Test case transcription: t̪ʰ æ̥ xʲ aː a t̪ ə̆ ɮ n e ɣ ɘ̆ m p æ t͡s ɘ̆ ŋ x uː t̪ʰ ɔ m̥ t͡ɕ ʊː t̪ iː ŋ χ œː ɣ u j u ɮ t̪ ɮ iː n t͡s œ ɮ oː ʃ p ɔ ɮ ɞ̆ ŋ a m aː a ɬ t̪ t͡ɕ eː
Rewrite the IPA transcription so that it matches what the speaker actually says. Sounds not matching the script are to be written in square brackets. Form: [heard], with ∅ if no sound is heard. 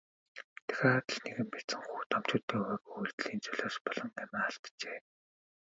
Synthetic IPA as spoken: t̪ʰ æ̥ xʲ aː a t̪ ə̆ ɮ n e ɣ ɘ̆ m p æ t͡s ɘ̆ ŋ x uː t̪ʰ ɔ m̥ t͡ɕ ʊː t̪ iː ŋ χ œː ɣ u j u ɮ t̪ ɮ iː n t͡s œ ɮ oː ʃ p ɔ ɮ ɞ̆ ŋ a m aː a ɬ t̪ t͡ɕ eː